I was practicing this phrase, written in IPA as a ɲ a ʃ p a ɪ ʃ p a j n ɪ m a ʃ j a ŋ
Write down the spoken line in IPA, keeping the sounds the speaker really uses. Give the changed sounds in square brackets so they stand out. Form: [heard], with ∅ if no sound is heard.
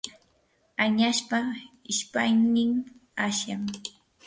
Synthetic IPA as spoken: a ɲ a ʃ p a ɪ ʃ p a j n ɪ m a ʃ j a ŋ